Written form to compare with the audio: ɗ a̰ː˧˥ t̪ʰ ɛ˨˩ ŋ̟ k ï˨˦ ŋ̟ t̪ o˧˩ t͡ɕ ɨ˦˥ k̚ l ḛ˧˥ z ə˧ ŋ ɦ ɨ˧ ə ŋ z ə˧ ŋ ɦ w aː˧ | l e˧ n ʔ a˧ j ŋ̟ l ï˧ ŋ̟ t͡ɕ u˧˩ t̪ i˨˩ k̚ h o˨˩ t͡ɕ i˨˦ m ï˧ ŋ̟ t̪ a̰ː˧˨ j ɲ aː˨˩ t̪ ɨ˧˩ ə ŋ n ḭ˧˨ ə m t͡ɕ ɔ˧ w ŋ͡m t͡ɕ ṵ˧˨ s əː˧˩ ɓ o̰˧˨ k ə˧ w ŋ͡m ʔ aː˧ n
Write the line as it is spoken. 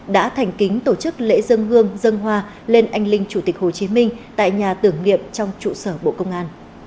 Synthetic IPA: ɗ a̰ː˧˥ t̪ʰ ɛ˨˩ ŋ̟ k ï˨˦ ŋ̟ t̪ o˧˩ t͡ɕ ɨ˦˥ k̚ l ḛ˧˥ z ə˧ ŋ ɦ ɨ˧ ə ŋ z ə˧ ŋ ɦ w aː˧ | l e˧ n ʔ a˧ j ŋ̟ l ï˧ ŋ̟ t͡ɕ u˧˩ t̪ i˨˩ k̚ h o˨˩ t͡ɕ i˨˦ m ï˧ ŋ̟ t̪ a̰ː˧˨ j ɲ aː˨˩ t̪ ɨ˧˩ ə ŋ n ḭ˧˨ ə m t͡ɕ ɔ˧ w ŋ͡m t͡ɕ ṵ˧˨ s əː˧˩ ɓ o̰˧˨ k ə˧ w ŋ͡m ʔ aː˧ n